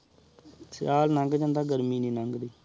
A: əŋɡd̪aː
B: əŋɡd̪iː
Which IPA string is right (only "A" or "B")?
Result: B